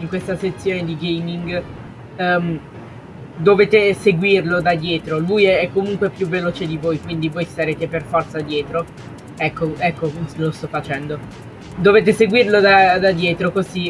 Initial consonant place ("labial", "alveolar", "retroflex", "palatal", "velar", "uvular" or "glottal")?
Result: velar